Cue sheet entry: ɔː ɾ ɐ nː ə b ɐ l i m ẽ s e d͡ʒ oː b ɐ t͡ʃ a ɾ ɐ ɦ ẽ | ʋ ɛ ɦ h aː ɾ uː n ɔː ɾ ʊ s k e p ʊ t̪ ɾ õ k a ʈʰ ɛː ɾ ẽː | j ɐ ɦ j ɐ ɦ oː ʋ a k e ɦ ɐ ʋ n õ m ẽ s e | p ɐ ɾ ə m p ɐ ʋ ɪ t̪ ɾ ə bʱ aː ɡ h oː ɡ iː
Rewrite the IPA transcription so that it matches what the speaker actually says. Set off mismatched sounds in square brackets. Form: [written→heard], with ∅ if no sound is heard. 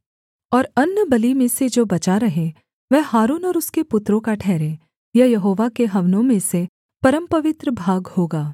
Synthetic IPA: ɔː ɾ ɐ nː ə b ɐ l i m ẽ s e d͡ʒ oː b ɐ t͡ʃ a ɾ ɐ ɦ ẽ | ʋ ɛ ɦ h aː ɾ uː n ɔː ɾ ʊ s k e p ʊ t̪ ɾ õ k a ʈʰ ɛː ɾ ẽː | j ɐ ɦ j ɐ ɦ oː ʋ a k e ɦ ɐ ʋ n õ m ẽ s e | p ɐ ɾ ə m p ɐ ʋ ɪ t̪ ɾ ə bʱ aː ɡ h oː ɡ [iː→aː]